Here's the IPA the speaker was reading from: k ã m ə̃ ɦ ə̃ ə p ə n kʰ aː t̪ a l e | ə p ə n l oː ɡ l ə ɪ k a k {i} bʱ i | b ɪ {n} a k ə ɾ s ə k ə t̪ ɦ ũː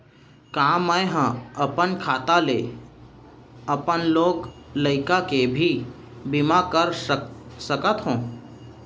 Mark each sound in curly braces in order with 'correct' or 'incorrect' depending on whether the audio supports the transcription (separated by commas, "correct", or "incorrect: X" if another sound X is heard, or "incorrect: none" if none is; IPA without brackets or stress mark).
incorrect: e, incorrect: m